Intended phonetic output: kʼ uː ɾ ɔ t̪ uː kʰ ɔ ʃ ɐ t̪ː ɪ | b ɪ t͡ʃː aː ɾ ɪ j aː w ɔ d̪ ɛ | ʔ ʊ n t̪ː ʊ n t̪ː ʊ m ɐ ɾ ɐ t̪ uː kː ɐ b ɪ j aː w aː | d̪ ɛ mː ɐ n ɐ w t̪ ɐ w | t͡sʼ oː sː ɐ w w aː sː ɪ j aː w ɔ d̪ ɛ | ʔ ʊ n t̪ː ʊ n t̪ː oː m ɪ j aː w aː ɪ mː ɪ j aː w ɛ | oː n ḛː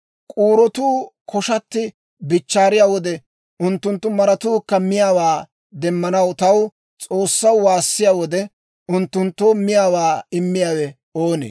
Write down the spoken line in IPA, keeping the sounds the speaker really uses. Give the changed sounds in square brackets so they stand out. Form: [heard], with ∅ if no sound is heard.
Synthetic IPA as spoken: kʼ uː ɾ ɔ t̪ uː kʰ ɔ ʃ ɐ t̪ː ɪ | b ɪ t͡ʃː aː ɾ ɪ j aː w ɔ d̪ ɛ | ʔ ʊ n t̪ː ʊ n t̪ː ʊ m ɐ ɾ ɐ t̪ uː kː ɐ [m] ɪ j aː w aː | d̪ ɛ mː ɐ n ɐ w t̪ ɐ w | t͡sʼ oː sː ɐ w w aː sː ɪ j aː w ɔ d̪ ɛ | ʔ ʊ n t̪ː ʊ n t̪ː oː m ɪ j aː w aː ɪ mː ɪ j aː w ɛ | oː n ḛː